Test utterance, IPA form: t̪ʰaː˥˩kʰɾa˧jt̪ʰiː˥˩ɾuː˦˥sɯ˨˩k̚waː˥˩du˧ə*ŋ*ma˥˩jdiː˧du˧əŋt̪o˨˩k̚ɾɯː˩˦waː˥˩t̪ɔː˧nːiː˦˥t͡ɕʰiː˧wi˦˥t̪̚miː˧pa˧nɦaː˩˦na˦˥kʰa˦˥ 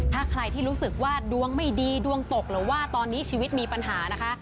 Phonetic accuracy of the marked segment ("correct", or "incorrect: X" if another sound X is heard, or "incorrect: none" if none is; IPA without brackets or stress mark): correct